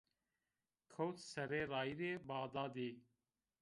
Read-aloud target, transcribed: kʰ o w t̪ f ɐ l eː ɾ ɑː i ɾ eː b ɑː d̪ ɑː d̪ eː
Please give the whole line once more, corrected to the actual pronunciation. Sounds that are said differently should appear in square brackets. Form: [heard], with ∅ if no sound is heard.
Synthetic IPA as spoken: kʰ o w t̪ [s] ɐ [ɾ] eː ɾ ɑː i ɾ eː b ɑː d̪ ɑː d̪ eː